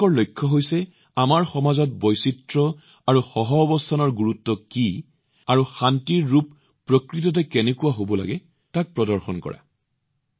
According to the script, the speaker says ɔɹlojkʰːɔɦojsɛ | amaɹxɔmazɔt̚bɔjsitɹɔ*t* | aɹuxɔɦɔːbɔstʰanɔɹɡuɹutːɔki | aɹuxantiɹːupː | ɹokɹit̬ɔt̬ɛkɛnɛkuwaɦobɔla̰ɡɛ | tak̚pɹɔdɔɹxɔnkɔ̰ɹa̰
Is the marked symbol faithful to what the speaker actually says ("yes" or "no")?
no